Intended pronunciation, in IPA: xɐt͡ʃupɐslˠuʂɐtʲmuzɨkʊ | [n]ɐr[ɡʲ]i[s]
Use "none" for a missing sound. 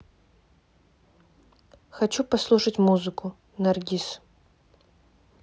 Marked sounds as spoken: n, ɡʲ, s

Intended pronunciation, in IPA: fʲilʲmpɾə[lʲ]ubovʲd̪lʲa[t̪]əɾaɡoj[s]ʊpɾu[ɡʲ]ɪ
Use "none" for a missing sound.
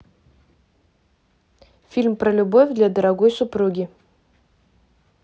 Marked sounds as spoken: lʲ, d̪, s, ɡʲ

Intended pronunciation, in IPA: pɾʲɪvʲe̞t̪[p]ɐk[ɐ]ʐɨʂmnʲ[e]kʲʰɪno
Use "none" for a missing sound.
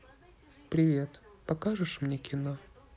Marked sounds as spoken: p, a, e

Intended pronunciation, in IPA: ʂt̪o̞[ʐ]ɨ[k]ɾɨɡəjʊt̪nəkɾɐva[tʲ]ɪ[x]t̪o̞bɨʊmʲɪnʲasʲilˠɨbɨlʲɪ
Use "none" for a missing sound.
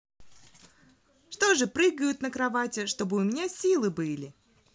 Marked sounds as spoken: ʐ, p, tʲ, ʂ

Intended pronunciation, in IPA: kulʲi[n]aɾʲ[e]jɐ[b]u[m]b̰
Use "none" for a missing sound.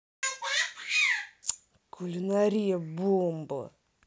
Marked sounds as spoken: n, i, b, m

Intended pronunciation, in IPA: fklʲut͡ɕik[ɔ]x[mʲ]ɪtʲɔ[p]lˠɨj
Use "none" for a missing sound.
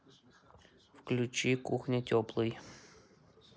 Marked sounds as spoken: u, nʲ, p

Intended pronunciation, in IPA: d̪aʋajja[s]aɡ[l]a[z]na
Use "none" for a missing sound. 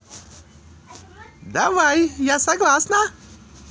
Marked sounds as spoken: s, l, s

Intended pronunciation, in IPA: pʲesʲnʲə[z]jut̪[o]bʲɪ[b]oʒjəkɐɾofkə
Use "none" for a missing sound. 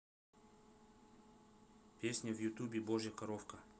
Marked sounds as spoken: v, u, b

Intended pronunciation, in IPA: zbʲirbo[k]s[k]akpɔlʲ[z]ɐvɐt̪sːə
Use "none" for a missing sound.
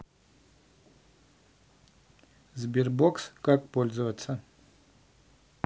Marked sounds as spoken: k, k, z

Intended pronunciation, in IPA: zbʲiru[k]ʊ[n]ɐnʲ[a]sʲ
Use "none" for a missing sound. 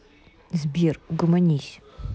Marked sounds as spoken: ɡ, m, i

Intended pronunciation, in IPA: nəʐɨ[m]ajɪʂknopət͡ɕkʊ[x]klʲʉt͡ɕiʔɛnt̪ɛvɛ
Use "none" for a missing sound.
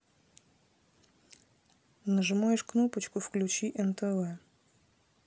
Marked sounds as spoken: m, f

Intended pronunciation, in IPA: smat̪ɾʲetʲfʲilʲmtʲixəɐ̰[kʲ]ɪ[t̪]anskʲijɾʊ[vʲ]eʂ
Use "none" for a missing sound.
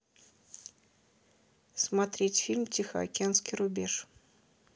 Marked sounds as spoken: kʲ, none, bʲ

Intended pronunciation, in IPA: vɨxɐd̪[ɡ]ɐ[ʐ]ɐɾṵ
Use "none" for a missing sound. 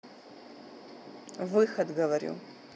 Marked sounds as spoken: ɡ, v

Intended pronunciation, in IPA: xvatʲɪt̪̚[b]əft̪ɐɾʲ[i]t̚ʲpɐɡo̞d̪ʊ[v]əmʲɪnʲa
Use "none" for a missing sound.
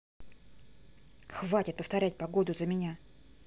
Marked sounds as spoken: p, æ, z

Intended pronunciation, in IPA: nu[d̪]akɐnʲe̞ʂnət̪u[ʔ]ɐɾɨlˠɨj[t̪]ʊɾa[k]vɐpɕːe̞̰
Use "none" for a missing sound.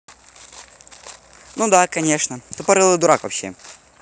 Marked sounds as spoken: d̪, p, d̪, k

